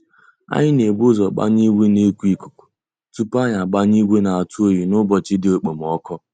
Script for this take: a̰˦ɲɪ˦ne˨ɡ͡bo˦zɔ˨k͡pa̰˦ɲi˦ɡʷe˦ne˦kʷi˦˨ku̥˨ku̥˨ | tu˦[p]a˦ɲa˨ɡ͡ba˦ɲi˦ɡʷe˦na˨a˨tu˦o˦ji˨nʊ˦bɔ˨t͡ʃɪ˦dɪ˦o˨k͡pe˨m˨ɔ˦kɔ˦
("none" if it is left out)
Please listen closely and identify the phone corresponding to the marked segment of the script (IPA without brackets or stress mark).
p